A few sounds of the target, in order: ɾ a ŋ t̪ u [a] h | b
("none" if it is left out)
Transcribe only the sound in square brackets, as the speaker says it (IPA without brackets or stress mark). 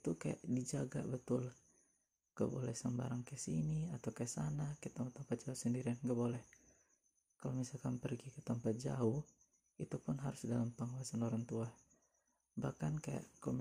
a